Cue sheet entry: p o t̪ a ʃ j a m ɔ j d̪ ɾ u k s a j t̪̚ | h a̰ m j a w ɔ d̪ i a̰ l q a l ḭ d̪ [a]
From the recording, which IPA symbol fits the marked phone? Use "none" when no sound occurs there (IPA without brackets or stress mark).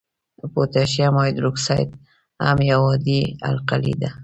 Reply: a